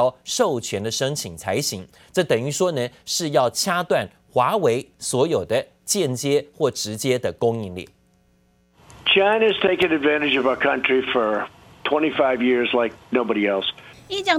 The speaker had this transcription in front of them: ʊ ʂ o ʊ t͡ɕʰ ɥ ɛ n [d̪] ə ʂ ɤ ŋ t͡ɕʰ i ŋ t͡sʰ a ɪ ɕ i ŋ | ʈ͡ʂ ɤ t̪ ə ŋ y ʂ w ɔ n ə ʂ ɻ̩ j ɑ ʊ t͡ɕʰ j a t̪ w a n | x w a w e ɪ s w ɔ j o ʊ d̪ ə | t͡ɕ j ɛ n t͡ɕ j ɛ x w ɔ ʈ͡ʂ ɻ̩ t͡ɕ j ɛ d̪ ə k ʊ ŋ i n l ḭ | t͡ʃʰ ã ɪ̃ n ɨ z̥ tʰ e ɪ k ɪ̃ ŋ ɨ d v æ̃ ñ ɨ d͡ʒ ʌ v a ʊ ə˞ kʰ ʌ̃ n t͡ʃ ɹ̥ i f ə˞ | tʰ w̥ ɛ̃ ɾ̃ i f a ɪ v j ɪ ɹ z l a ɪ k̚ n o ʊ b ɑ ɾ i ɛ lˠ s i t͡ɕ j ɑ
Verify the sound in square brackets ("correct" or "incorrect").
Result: correct